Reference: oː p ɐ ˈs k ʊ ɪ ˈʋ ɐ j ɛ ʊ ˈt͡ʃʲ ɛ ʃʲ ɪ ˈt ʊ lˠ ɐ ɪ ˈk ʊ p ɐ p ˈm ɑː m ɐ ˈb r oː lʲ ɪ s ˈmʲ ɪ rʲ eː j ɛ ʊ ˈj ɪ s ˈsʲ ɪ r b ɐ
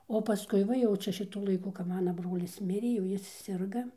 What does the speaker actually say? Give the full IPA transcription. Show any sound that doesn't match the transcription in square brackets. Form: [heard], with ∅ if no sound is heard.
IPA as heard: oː p ɐ ˈs k ʊ ɪ ˈʋ ɐ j ɛ ʊ ˈt͡ʃʲ ɛ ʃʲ ɪ ˈt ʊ lˠ ɐ ɪ ˈk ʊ [k] ɐ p ˈm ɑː [n] ɐ ˈb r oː lʲ ɪ s ˈmʲ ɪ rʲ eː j ɛ ʊ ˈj ɪ s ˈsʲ ɪ r [ɡ] ɐ